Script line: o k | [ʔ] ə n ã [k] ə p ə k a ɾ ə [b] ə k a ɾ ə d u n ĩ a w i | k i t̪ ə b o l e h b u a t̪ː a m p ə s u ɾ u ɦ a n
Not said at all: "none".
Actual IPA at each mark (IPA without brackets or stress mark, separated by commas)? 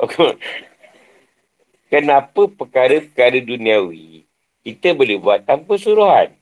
k, p, p